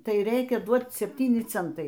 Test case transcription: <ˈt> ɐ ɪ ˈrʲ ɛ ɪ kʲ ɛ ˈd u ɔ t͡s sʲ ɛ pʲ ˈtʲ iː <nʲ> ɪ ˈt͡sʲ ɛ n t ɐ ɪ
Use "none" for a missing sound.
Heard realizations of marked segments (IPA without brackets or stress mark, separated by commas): t, nʲ